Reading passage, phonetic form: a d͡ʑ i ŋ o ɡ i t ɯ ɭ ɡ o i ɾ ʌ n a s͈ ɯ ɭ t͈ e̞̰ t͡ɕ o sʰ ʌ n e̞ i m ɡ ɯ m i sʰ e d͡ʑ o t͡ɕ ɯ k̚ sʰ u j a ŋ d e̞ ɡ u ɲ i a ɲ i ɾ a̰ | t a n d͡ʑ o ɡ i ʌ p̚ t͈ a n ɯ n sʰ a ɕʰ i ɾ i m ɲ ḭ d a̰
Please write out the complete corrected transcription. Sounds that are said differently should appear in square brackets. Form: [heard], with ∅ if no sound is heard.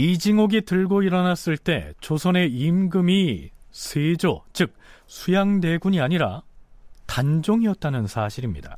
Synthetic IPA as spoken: [i] d͡ʑ i ŋ o ɡ i t ɯ ɭ ɡ o i ɾ ʌ n a s͈ ɯ ɭ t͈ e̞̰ t͡ɕ o sʰ ʌ n e̞ i m ɡ ɯ m i sʰ e d͡ʑ o t͡ɕ ɯ k̚ sʰ u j a ŋ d e̞ ɡ u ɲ i a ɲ i ɾ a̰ | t a n d͡ʑ o [ŋ] i ʌ [t̚] t͈ a n ɯ n sʰ a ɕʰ i ɾ i m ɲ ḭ d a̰